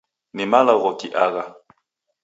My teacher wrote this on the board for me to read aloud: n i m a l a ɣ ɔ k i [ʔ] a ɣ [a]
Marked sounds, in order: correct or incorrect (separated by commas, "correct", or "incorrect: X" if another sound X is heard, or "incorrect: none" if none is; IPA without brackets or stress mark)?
correct, correct